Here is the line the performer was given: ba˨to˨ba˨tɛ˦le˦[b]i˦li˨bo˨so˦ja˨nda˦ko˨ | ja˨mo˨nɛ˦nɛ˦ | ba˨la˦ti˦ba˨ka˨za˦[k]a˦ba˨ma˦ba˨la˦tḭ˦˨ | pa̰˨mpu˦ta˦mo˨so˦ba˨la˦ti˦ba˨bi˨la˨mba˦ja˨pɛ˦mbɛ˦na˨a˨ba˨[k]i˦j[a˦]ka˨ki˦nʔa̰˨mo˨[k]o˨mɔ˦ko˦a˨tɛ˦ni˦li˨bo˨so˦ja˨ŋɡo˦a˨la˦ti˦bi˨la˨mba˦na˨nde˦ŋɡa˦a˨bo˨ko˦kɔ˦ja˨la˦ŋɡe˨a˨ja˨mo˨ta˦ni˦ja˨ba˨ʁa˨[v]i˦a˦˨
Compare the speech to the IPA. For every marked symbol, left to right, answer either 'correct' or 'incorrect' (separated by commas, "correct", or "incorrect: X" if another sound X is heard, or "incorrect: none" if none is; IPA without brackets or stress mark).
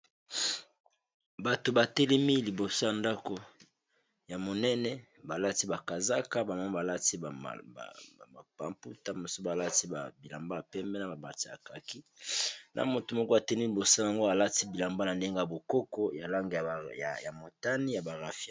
incorrect: m, correct, incorrect: t, incorrect: a˨, incorrect: t, incorrect: f